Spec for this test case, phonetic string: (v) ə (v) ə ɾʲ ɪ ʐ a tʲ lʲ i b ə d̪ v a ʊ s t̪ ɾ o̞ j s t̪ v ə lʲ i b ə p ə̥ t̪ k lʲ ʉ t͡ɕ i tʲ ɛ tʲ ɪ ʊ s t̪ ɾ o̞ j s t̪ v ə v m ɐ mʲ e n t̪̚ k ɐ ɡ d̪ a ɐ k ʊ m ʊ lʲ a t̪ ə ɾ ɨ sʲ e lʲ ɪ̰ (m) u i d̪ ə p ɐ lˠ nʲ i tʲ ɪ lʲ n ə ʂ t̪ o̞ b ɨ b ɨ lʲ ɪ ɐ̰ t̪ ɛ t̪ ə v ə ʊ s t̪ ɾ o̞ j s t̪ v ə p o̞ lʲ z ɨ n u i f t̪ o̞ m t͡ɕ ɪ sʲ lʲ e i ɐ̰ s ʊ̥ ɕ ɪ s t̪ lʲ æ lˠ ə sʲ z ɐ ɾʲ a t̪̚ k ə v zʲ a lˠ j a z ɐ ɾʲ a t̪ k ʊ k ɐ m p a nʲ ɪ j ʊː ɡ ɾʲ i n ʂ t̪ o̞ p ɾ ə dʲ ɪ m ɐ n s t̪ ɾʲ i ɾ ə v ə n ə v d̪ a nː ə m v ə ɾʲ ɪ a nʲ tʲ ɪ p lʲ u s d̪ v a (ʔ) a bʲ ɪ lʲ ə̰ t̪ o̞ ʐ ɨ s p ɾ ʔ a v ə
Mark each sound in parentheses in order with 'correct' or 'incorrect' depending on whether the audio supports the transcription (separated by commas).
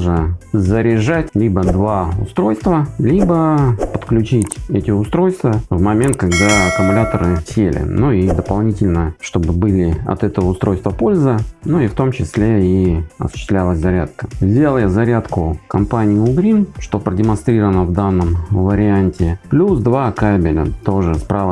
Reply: incorrect, incorrect, incorrect, incorrect